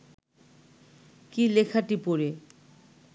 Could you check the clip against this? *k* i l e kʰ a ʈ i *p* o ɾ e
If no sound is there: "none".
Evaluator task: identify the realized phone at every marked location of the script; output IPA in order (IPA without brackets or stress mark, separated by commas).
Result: k, p